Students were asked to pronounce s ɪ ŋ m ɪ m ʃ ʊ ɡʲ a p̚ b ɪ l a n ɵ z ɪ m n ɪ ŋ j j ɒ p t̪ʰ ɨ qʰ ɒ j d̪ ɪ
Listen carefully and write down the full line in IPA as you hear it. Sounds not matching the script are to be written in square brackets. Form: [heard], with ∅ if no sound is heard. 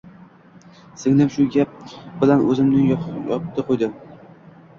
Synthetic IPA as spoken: s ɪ ŋ [n] ɪ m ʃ ʊ ɡʲ a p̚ b ɪ l a n ɵ z ɪ m n ɪ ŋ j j ɒ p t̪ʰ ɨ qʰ [o] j d̪ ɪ